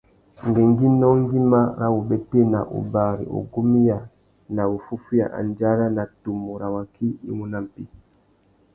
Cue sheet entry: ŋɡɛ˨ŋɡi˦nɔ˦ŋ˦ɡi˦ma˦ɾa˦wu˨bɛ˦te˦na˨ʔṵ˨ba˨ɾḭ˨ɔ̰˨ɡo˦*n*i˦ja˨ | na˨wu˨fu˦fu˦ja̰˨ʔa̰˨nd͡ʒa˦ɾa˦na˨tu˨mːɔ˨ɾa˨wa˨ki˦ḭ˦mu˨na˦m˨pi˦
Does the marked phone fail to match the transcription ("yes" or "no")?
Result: yes